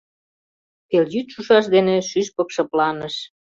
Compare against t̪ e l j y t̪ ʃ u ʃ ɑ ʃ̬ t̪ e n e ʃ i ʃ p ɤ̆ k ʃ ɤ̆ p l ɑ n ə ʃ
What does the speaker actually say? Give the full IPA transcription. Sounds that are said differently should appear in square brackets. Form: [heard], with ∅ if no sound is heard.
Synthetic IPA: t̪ e l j y t̪ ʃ u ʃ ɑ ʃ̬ [d̪] e n e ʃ [y] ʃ p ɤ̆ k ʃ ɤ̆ p l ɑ n ə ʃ